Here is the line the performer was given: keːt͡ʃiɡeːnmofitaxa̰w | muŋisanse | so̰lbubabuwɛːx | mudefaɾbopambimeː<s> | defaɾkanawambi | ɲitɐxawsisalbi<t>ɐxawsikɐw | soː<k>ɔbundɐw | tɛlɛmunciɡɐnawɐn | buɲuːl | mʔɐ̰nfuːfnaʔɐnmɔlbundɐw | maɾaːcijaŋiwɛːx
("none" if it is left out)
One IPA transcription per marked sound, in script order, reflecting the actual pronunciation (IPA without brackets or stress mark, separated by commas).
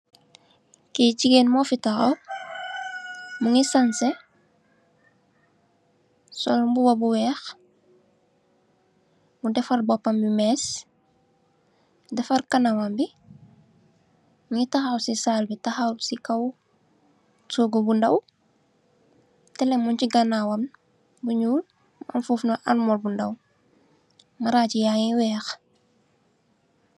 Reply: s, t, ɡ